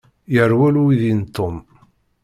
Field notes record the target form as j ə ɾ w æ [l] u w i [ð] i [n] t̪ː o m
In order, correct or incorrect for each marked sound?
correct, correct, correct

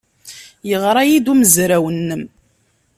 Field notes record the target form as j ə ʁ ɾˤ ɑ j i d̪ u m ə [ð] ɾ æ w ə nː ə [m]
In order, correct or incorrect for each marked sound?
incorrect, correct

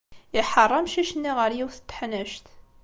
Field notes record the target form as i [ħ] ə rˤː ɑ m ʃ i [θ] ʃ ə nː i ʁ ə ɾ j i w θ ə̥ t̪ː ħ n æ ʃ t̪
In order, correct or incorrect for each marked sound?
correct, incorrect

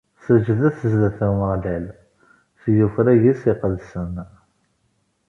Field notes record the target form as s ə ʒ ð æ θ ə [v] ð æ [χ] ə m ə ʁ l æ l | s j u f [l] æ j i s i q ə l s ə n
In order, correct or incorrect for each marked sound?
incorrect, incorrect, incorrect

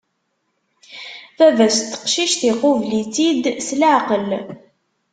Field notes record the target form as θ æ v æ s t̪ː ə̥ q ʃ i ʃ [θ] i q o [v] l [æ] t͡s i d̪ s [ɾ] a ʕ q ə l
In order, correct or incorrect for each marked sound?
correct, correct, incorrect, incorrect

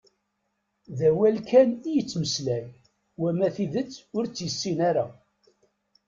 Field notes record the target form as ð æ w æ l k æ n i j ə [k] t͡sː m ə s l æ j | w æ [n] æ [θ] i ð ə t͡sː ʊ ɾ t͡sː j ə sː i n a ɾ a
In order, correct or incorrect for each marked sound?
incorrect, incorrect, correct

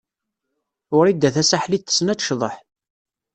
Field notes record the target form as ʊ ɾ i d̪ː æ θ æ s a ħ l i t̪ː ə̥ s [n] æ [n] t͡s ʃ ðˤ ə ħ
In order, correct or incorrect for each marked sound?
correct, incorrect

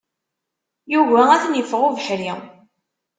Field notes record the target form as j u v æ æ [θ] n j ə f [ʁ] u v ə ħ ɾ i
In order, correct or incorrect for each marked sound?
correct, correct

